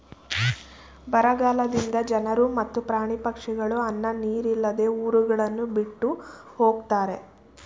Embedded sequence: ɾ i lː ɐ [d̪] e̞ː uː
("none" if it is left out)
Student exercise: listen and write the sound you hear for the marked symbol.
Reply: d̪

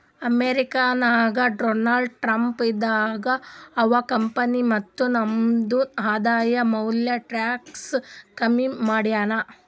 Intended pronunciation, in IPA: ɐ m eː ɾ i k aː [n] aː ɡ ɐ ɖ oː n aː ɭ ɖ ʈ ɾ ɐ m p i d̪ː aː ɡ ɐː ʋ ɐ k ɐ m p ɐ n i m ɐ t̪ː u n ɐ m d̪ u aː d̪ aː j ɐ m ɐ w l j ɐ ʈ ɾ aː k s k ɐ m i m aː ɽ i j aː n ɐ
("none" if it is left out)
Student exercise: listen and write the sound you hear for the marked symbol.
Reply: n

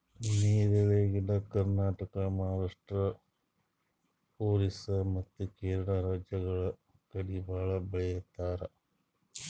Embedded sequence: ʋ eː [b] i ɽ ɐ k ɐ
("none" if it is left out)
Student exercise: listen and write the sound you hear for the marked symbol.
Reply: ɡ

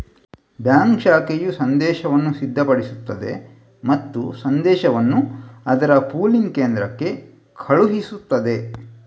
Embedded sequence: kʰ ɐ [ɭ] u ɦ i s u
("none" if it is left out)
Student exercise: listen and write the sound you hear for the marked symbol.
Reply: ɭ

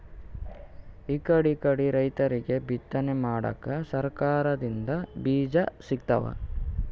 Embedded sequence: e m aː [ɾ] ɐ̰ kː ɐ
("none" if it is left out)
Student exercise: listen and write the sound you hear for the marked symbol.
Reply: ɽ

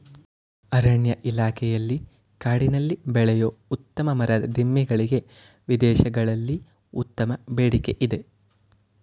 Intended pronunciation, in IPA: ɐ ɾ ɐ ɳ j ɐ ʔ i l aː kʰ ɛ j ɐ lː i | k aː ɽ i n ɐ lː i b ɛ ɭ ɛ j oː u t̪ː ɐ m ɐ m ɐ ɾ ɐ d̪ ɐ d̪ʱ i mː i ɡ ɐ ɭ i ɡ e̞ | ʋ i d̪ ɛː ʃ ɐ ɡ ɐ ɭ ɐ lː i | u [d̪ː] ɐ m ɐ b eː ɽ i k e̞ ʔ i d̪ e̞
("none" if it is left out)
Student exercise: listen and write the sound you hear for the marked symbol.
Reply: t̪ː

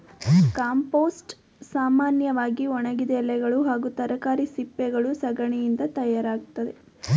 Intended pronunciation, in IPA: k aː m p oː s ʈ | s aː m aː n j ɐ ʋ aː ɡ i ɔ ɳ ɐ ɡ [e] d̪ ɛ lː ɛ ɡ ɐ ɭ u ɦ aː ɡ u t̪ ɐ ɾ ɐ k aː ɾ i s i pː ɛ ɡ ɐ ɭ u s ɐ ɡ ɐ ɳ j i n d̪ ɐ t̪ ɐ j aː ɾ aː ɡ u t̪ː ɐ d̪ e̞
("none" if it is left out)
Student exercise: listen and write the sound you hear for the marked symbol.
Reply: i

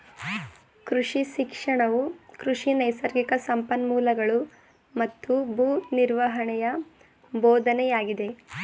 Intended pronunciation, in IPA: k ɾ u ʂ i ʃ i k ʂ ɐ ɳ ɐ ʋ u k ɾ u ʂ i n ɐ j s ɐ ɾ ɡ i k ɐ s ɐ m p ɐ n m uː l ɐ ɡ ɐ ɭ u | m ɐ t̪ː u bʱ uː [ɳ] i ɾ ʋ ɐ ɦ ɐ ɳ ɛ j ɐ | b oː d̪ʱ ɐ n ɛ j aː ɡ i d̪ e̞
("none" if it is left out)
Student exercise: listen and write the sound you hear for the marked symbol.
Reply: n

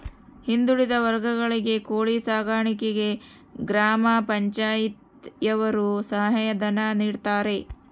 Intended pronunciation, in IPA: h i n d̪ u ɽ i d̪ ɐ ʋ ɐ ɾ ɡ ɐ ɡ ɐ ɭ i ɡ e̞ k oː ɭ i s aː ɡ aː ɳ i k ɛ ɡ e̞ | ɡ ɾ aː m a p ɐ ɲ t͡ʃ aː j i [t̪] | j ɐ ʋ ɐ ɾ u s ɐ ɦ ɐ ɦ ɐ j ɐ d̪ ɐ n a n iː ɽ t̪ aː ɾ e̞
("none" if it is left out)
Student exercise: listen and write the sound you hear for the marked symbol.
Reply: t̪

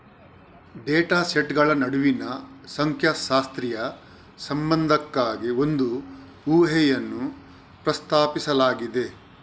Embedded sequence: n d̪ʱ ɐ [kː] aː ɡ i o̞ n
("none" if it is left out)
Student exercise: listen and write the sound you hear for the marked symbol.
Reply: kː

